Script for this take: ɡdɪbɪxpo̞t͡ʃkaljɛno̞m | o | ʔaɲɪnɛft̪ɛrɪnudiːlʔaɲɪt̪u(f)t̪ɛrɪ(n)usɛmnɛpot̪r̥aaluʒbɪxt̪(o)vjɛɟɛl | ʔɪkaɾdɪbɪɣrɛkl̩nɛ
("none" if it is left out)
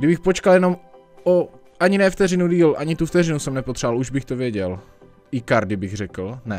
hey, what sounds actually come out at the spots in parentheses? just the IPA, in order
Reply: f, n, o

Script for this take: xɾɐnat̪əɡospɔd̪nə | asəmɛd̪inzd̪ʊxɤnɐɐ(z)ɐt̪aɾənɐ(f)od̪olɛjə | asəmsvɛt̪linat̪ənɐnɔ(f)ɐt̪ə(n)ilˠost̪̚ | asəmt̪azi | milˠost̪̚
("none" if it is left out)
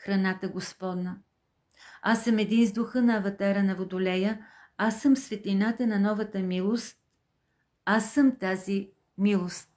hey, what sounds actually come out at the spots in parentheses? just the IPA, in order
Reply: v, v, v, m

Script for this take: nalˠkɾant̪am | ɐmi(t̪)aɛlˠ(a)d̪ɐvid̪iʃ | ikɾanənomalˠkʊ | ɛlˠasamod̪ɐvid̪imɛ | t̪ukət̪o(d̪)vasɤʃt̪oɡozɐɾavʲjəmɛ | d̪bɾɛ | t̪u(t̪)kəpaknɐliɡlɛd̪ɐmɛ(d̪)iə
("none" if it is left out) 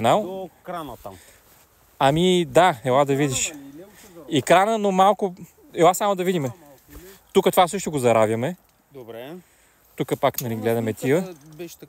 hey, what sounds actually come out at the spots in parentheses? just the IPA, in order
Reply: d̪, a, none, none, t̪

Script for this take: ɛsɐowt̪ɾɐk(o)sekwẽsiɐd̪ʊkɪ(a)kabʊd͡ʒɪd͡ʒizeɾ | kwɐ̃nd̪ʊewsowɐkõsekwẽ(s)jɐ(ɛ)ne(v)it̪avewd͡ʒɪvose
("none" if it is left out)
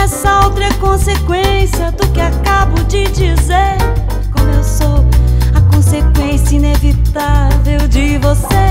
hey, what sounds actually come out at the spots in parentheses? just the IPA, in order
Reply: õ, a, s, i, v

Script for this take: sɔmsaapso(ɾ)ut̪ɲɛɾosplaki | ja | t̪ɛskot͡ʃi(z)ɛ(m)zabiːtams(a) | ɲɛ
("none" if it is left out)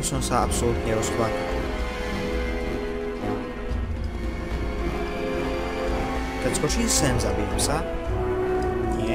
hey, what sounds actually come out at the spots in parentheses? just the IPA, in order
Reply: l, s, n, a

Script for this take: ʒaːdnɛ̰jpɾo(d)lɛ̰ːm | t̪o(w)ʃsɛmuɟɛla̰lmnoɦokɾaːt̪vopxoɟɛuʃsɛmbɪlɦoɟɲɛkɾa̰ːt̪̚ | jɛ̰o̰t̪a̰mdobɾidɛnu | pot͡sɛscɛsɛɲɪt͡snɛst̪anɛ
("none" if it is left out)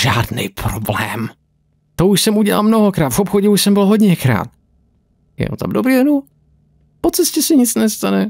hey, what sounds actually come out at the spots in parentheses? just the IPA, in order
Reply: b, u

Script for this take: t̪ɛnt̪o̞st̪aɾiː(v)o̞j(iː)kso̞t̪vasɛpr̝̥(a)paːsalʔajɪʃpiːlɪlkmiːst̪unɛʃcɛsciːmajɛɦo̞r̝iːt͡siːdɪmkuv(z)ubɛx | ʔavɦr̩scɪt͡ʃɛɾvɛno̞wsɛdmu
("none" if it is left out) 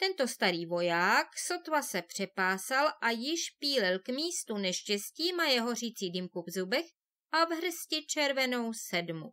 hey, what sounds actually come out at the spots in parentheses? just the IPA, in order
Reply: v, aː, ɛ, z

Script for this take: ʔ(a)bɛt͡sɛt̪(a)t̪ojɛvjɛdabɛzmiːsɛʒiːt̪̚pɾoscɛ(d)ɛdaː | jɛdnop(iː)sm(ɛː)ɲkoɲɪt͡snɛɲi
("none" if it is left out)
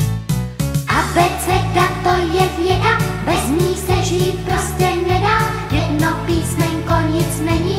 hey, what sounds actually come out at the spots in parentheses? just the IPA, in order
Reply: a, a, n, iː, ɛ

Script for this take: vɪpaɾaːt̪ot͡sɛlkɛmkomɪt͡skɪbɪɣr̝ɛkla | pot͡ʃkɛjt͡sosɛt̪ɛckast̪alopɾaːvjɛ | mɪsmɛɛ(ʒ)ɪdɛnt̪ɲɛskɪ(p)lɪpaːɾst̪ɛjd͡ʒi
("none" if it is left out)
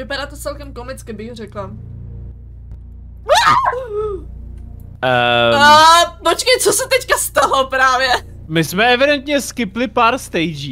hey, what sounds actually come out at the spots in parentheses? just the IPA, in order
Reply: v, p

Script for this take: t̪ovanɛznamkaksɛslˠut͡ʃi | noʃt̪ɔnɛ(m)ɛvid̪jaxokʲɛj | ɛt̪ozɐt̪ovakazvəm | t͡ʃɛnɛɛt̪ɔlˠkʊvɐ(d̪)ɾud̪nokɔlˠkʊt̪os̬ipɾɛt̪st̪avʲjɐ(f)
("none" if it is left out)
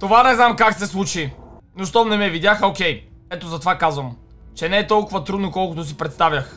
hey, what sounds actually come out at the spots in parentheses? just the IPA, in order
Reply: m, t̪, x

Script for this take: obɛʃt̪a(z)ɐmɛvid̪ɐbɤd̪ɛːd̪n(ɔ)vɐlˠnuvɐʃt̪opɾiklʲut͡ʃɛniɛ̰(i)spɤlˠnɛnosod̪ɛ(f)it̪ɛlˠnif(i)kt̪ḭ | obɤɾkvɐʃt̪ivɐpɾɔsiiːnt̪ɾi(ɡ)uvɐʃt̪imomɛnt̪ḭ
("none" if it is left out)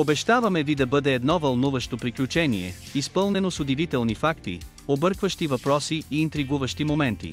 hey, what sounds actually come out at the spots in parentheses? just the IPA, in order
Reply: v, ɔ, i, v, a, ɡ

